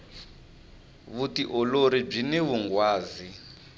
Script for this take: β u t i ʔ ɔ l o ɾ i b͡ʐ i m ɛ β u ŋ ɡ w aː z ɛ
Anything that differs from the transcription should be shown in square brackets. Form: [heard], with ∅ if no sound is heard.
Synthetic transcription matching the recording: β u t i ʔ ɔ l o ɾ i b͡ʐ i [n] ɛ β u ŋ ɡ w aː z [i]